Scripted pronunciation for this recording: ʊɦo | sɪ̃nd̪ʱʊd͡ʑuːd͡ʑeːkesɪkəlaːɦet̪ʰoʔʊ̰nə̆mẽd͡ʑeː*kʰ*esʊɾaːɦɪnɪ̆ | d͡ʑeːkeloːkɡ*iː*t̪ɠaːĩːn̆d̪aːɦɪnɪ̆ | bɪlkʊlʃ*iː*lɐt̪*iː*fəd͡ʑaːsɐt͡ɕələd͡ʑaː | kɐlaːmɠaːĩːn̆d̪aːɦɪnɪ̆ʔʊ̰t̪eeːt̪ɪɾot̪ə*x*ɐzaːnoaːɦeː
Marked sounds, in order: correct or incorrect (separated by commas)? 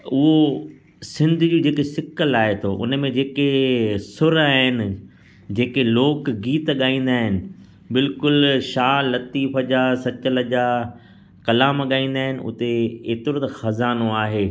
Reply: incorrect, correct, incorrect, correct, correct